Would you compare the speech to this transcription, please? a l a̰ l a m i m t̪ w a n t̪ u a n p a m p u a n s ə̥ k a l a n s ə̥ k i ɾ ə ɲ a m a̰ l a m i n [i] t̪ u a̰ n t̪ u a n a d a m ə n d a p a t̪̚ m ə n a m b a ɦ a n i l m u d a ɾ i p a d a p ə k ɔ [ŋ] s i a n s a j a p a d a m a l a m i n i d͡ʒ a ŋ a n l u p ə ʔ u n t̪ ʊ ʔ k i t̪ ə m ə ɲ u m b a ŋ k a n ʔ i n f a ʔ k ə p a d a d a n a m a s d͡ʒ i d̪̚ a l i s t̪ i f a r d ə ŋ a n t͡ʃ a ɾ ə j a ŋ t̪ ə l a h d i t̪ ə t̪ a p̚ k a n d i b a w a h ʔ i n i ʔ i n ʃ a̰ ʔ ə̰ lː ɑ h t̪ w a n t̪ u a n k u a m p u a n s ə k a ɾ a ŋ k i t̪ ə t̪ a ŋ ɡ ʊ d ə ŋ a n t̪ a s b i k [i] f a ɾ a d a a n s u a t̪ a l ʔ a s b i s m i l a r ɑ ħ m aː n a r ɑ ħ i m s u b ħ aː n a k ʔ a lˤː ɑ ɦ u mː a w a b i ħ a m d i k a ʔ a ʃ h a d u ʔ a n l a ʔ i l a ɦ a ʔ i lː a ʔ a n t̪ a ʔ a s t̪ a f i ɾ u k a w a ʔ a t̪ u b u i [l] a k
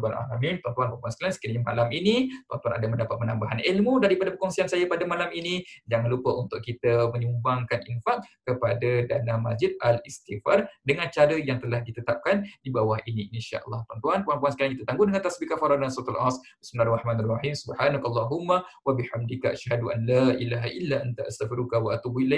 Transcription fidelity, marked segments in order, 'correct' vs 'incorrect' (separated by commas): correct, correct, incorrect, correct